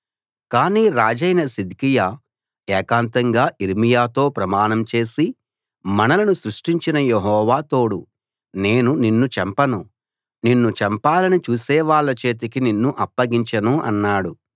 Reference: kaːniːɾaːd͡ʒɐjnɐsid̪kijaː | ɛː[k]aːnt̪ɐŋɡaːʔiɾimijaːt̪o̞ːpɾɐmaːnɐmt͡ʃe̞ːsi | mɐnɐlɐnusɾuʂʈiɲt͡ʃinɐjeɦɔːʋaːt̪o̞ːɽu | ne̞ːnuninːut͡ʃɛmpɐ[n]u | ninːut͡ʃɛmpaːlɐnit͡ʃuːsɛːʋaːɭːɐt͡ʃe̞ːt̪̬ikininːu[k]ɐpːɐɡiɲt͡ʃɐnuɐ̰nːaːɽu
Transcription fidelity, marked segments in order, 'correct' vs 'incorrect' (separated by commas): correct, correct, incorrect